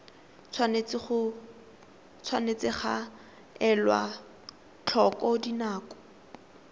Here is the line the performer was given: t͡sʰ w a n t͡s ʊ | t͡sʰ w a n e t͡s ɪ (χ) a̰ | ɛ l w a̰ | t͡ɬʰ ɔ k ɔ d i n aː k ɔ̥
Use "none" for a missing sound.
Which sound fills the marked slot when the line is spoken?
χ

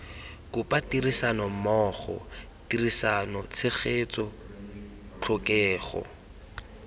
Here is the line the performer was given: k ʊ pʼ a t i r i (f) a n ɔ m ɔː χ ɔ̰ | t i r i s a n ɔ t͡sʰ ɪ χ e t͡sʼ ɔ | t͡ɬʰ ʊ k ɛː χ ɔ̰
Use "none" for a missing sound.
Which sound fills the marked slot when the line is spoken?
s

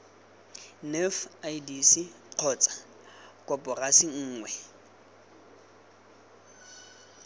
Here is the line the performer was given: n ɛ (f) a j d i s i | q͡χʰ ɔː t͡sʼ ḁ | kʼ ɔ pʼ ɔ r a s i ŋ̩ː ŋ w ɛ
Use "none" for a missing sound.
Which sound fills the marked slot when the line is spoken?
f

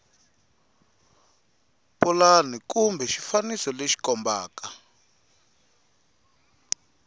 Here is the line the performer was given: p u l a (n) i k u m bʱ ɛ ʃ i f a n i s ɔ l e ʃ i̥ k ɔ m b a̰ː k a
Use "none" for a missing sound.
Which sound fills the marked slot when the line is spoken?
n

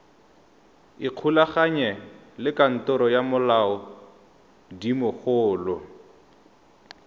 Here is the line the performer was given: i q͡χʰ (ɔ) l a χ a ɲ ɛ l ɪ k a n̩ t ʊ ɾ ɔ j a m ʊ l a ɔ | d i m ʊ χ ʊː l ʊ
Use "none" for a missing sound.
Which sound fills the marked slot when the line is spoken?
u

